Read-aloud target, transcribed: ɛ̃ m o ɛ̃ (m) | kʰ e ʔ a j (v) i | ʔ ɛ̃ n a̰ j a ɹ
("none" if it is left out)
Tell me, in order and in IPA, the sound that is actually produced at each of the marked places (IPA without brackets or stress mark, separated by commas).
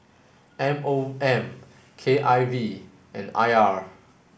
m, v